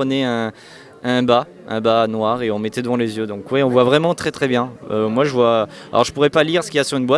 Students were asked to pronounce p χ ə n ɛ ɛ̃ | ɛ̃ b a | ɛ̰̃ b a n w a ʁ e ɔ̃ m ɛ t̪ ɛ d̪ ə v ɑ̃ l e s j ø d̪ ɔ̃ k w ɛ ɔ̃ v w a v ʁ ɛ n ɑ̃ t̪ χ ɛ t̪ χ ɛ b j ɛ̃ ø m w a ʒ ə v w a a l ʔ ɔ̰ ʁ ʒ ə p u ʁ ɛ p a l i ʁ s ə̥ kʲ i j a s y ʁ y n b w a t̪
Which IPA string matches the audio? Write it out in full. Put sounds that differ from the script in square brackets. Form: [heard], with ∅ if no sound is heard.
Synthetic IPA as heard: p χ ə n ɛ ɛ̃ | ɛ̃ b a | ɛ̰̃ b a n w a ʁ e ɔ̃ m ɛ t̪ ɛ d̪ ə v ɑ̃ l e [z] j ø d̪ ɔ̃ k w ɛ ɔ̃ v w a v ʁ ɛ [m] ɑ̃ t̪ χ ɛ t̪ χ ɛ b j ɛ̃ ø m w a ʒ ə v w a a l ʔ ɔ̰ ʁ ʒ ə p u ʁ ɛ p a l i ʁ s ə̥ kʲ i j a s y ʁ y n b w a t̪